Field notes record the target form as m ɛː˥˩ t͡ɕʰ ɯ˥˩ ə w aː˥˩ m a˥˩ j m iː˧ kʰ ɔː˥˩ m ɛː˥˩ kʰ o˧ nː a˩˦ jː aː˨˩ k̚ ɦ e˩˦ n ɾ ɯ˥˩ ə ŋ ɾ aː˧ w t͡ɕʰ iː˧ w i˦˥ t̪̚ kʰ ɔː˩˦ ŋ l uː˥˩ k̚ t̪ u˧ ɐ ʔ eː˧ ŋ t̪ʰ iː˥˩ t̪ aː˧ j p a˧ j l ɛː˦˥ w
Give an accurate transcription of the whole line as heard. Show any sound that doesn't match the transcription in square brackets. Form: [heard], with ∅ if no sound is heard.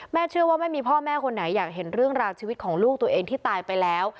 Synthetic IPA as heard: m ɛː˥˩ t͡ɕʰ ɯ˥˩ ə w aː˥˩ m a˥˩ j m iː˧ [pʰ] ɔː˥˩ m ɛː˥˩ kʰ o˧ nː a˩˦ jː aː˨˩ k̚ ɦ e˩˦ n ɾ ɯ˥˩ ə ŋ ɾ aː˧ w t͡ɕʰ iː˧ w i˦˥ t̪̚ kʰ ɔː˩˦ ŋ l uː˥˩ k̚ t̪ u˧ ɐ ʔ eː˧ ŋ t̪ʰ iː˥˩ t̪ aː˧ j p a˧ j l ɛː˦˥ w